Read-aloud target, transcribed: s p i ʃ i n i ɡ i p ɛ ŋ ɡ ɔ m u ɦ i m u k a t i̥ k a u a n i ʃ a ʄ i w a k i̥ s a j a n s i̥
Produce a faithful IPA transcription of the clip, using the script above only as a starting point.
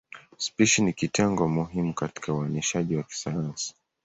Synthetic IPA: s p i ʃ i n i k i t ɛ ŋ ɡ ɔ m u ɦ i m u k a t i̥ k a u a n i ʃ a ʄ i w a k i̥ s a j a n s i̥